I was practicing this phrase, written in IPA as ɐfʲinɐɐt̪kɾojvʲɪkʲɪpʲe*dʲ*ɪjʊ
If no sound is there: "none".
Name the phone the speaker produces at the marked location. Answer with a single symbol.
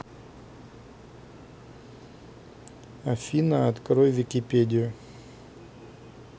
dʲ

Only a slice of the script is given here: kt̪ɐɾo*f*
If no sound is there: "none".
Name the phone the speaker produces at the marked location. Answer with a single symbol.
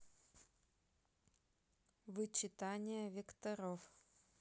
f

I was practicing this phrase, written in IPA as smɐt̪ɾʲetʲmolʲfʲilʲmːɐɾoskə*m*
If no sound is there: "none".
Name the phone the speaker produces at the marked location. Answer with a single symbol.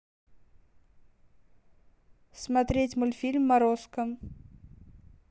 m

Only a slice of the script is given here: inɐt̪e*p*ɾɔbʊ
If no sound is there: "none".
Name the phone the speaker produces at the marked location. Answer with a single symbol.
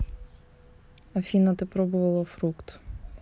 p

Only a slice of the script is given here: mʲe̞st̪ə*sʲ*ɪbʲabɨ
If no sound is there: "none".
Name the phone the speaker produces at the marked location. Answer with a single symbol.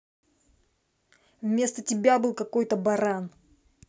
tʲ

